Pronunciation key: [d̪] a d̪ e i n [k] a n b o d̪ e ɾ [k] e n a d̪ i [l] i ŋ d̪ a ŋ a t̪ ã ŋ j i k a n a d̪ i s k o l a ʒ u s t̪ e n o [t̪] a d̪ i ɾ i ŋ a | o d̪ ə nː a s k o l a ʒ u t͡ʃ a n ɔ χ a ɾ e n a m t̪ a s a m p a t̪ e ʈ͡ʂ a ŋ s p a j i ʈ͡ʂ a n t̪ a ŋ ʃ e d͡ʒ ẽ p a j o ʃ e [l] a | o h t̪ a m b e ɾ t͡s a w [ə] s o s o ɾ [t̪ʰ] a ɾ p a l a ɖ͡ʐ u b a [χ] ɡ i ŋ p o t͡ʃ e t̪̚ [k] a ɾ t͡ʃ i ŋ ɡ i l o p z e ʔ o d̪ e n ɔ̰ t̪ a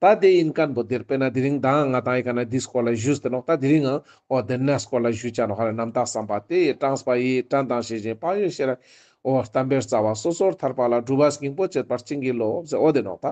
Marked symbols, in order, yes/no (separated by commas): no, yes, no, no, yes, no, no, yes, no, no